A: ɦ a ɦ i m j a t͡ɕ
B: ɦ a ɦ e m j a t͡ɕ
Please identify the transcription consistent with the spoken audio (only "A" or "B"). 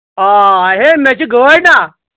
B